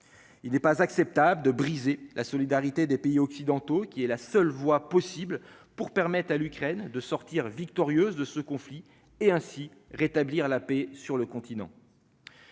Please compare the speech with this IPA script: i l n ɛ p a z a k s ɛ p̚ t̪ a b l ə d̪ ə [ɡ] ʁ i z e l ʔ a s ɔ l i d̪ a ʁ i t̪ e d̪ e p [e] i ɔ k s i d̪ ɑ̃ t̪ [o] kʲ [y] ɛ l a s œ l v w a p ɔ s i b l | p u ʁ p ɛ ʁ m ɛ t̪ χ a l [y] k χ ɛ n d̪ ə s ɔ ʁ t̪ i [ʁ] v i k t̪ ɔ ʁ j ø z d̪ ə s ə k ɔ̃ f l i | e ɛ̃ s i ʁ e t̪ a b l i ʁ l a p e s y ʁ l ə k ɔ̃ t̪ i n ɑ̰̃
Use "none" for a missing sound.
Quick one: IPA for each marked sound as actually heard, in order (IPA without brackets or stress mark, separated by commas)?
b, e, o, i, y, ʁ